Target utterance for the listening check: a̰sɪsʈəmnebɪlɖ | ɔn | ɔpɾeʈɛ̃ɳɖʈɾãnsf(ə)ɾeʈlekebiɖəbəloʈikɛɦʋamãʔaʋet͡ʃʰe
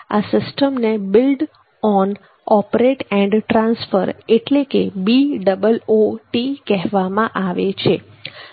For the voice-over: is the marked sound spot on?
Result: yes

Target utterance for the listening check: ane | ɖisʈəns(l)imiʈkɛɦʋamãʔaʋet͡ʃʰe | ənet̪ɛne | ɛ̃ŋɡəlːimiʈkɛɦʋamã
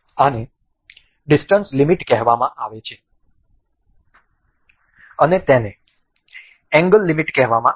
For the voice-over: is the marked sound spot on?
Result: yes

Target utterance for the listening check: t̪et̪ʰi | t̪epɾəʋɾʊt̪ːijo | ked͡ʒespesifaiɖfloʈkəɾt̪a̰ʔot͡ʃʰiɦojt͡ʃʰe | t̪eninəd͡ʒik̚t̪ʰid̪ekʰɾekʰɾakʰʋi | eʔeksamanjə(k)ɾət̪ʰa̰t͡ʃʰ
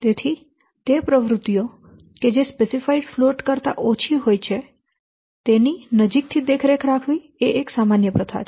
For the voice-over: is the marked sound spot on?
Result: no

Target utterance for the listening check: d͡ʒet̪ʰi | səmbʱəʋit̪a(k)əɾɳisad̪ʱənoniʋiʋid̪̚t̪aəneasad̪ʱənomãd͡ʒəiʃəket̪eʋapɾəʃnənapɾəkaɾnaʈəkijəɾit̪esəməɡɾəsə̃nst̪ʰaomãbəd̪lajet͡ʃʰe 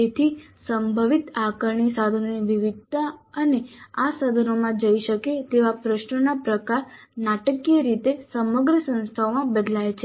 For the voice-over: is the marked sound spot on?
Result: yes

